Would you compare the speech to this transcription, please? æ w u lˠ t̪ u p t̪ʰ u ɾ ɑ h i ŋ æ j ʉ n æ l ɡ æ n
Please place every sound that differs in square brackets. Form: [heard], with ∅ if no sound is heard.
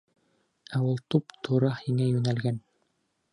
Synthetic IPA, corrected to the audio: æ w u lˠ t̪ u p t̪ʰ u ɾ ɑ h i ŋ æ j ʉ n æ l ɡ æ n